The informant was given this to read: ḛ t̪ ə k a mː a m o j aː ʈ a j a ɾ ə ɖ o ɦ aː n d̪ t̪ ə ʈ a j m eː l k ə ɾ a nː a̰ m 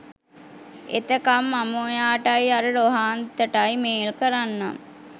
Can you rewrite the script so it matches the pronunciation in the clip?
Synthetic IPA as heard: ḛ t̪ ə k a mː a m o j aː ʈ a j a ɾ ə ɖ o ɦ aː n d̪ t̪ ə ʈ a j m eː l k ə ɾ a nː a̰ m